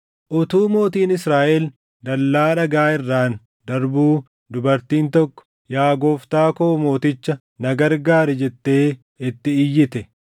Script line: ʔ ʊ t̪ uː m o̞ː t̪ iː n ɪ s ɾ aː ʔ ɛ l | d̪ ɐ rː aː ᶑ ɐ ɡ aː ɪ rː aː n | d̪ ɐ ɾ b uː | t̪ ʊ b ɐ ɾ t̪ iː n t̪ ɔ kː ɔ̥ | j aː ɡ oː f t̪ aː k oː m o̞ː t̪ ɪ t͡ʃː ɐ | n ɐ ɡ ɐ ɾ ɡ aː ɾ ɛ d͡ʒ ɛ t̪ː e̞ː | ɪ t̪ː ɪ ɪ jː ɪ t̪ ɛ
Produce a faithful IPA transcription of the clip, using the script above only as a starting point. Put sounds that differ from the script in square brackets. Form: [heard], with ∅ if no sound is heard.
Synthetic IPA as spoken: ʔ ʊ t̪ uː m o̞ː t̪ iː n ɪ s ɾ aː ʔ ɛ l | d̪ ɐ [lː] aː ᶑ ɐ ɡ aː ɪ rː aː n | d̪ ɐ ɾ b uː | [d̪] ʊ b ɐ ɾ t̪ iː n t̪ ɔ kː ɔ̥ | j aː ɡ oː f t̪ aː k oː m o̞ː t̪ ɪ t͡ʃː ɐ | n ɐ ɡ ɐ ɾ ɡ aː ɾ ɛ d͡ʒ ɛ t̪ː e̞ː | ɪ t̪ː ɪ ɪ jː ɪ t̪ ɛ